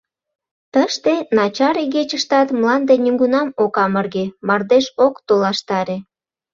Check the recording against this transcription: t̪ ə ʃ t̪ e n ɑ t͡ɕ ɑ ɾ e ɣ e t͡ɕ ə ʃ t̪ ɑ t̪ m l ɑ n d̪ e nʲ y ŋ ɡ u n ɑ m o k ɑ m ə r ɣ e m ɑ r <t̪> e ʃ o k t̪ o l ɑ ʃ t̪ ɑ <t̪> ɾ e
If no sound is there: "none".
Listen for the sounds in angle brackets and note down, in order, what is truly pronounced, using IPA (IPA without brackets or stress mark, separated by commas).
d̪, none